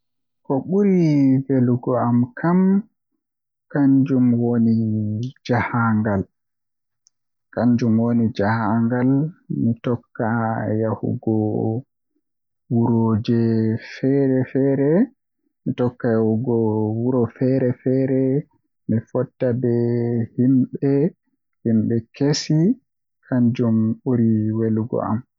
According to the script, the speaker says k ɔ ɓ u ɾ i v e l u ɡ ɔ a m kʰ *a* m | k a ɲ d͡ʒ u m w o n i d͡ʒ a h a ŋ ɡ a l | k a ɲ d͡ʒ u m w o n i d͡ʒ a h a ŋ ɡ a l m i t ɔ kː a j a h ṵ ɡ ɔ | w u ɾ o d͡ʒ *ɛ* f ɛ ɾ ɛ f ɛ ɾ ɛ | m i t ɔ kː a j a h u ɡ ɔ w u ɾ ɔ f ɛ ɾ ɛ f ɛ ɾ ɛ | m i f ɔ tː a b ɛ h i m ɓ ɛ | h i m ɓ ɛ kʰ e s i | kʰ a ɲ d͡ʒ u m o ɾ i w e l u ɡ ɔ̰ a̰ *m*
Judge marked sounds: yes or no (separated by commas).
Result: yes, yes, yes